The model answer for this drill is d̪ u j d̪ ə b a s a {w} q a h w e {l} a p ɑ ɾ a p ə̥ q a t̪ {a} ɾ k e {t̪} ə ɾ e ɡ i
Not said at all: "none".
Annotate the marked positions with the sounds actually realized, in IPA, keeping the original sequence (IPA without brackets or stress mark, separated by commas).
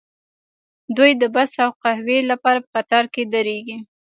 w, l, ɑ, d̪